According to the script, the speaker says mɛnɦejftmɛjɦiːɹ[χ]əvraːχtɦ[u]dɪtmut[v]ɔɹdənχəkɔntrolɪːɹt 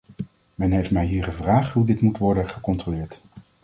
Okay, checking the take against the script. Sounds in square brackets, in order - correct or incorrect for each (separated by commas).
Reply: correct, correct, incorrect